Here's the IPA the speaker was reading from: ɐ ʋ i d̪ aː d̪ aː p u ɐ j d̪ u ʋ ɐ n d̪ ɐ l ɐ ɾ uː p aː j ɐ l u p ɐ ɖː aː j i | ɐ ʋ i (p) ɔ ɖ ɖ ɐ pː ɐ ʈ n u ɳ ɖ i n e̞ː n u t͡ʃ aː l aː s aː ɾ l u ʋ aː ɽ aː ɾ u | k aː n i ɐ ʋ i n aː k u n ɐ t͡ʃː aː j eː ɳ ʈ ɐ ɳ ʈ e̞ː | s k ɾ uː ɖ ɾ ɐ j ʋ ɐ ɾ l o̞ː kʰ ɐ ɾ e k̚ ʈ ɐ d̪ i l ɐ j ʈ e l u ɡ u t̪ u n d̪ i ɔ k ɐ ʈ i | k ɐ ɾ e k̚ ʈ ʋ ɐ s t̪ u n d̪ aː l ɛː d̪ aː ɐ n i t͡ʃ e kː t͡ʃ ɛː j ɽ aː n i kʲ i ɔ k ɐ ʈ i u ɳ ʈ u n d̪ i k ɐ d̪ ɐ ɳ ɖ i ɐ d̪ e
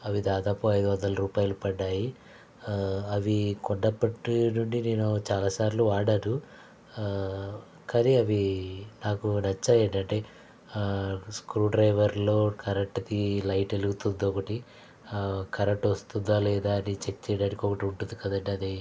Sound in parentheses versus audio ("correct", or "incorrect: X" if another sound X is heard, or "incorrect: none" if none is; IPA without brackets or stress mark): incorrect: k